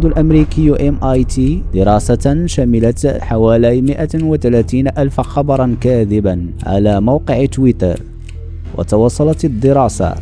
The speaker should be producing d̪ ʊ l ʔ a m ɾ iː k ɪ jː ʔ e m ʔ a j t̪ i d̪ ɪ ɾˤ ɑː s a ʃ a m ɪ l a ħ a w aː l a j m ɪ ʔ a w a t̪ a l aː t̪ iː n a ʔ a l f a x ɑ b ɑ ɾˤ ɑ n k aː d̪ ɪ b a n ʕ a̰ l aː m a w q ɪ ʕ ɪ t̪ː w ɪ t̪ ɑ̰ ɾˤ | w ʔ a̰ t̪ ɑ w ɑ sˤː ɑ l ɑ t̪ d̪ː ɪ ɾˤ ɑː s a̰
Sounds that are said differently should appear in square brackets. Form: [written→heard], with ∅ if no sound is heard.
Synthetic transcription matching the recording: d̪ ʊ l ʔ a m ɾ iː k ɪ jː ʔ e m ʔ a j t̪ i d̪ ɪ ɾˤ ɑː s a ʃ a m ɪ l a ħ a w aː l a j m ɪ ʔ a w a t̪ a l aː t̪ iː n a ʔ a l f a x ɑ b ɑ ɾˤ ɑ n k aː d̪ ɪ b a n ʕ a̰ l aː m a w q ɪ ʕ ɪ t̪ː w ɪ t̪ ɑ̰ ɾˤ | w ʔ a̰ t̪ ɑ w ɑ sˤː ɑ l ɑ t̪ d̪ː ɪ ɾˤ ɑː s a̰